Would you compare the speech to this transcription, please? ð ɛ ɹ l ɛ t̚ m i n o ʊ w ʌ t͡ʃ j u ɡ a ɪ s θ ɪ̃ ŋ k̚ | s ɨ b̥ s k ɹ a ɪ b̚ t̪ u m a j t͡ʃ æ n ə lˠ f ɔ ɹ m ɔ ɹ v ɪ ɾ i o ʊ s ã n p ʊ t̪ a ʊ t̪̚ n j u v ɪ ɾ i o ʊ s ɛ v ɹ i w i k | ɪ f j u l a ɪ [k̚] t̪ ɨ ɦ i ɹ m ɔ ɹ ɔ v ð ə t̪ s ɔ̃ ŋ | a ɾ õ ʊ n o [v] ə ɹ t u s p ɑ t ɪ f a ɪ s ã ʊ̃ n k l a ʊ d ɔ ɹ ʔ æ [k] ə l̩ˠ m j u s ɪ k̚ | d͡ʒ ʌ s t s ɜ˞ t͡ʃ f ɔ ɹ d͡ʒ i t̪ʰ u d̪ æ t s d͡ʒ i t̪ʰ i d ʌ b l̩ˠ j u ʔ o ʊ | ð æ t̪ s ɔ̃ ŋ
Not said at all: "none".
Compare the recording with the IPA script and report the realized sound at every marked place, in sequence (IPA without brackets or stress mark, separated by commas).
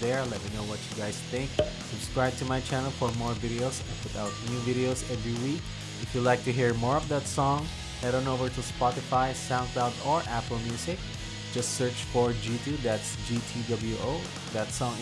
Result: k̚, v, p